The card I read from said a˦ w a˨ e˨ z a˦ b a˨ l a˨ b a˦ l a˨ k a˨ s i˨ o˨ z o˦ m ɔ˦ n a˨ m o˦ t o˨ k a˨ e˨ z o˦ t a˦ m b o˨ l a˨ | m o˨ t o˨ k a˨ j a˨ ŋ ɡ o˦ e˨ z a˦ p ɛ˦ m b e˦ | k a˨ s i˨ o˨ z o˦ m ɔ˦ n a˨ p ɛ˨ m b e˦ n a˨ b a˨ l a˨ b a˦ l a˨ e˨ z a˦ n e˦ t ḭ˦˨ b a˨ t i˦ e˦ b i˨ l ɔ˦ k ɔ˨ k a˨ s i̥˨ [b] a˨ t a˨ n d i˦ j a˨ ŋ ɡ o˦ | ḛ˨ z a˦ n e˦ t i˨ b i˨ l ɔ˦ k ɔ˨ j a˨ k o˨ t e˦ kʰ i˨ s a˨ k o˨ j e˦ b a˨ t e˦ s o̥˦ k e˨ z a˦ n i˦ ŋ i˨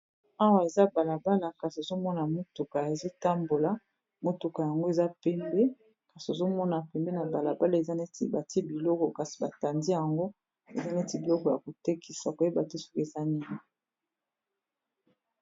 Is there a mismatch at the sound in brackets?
no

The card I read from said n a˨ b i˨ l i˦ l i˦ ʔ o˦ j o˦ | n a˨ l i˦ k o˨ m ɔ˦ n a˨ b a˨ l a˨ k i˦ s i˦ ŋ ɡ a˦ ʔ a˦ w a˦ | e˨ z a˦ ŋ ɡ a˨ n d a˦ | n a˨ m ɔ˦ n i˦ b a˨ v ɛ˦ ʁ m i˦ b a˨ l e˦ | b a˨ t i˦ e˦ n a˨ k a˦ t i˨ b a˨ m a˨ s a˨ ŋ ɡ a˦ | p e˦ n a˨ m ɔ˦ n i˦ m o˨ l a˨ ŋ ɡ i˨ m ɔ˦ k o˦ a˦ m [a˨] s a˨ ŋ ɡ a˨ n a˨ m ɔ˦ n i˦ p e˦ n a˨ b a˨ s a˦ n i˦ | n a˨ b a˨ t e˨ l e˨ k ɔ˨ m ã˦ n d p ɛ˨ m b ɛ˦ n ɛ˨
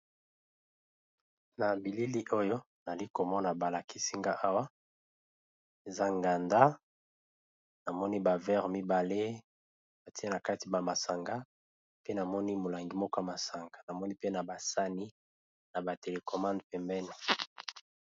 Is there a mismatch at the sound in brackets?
no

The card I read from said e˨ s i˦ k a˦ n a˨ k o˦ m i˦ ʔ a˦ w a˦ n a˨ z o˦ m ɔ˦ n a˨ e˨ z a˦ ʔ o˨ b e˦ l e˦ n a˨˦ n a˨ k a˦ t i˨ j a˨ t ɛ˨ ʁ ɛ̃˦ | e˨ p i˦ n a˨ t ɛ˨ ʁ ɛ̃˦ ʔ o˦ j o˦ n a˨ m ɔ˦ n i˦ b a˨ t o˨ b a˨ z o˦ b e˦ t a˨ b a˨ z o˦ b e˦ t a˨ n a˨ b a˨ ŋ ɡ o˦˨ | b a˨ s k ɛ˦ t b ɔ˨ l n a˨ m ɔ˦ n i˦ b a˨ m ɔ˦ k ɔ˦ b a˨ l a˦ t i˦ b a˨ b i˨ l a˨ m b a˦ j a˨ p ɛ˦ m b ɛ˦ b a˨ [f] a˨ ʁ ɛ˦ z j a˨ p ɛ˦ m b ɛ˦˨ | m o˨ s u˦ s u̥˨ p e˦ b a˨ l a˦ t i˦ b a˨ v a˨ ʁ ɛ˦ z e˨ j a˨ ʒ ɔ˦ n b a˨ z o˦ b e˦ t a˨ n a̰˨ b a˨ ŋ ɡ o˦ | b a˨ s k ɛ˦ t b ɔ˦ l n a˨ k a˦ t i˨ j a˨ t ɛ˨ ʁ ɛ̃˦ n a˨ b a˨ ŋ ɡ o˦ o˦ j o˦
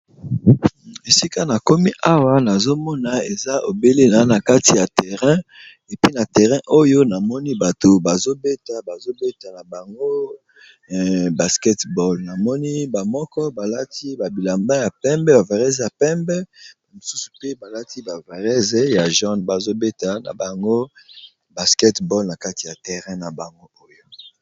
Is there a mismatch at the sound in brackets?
yes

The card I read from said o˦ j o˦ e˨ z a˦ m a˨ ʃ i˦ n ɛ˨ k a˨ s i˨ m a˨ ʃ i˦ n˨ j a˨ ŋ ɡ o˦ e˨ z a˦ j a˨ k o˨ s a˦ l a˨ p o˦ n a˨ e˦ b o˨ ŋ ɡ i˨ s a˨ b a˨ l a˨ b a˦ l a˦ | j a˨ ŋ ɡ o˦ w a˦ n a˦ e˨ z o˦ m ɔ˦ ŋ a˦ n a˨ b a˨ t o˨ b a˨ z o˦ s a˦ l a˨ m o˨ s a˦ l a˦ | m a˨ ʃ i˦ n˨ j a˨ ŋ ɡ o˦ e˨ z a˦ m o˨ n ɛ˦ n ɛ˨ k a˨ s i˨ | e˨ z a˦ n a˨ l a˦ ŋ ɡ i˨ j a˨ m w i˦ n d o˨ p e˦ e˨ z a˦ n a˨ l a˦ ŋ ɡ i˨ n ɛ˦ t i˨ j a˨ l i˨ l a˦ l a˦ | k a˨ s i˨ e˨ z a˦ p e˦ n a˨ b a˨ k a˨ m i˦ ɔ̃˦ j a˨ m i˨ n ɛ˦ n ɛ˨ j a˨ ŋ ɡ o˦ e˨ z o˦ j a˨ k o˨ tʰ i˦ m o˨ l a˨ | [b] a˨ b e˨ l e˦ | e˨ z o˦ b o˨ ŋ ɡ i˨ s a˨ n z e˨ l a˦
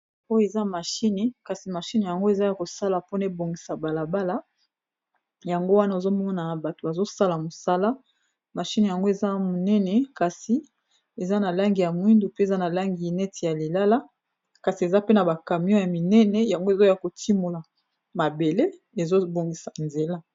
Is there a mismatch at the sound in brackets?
yes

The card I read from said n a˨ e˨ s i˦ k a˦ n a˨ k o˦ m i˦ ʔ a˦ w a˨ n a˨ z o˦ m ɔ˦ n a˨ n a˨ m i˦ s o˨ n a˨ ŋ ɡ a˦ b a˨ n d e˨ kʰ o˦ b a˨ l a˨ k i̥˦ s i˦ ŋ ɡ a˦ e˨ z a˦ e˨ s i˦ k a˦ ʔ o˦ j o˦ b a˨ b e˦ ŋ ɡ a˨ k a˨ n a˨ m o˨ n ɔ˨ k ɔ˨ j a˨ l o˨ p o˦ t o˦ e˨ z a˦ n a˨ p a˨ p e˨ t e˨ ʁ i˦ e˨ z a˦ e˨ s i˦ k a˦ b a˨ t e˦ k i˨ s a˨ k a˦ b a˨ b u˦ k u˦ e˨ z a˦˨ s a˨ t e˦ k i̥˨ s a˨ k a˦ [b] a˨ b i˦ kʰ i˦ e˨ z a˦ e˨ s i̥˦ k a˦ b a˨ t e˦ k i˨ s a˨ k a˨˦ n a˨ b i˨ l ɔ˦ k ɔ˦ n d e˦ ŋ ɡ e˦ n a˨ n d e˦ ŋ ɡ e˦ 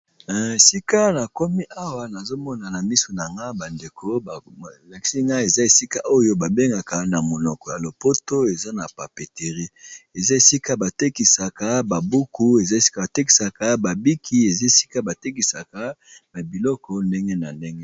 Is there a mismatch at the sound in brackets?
no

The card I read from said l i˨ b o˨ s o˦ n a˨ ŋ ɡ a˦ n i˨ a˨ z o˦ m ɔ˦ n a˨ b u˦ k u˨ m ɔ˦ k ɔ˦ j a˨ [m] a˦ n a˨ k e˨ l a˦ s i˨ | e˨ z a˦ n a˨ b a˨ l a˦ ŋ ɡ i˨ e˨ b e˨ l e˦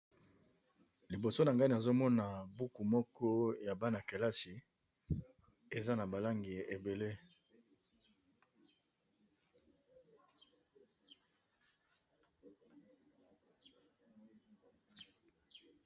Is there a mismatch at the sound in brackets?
yes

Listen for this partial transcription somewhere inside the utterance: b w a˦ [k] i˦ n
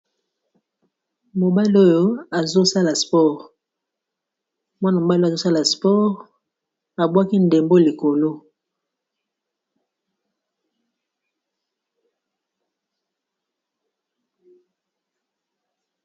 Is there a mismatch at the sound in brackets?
no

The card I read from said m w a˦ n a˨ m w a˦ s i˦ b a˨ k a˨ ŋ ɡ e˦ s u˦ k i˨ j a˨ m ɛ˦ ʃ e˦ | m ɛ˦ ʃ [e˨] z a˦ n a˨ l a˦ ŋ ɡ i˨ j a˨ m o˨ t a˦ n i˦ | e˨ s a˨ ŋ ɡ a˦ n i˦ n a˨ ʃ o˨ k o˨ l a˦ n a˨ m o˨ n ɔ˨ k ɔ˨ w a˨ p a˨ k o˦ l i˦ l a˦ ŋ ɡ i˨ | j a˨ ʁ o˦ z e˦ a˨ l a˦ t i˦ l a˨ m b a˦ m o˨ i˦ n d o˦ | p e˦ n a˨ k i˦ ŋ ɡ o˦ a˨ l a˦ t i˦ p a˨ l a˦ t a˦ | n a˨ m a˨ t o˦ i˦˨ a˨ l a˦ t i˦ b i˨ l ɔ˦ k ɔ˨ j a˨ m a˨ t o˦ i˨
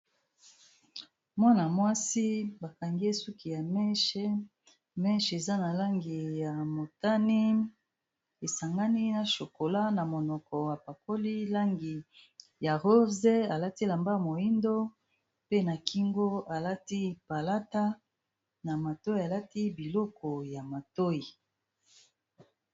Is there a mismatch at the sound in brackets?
no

